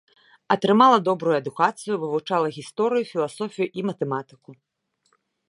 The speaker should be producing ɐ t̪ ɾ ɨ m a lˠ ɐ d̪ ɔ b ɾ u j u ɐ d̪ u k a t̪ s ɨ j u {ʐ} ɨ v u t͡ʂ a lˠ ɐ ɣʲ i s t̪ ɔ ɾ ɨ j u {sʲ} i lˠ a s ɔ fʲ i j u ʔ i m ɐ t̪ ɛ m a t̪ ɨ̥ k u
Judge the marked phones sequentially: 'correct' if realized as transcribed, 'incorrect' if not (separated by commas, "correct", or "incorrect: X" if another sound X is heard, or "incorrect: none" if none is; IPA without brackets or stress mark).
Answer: incorrect: v, incorrect: fʲ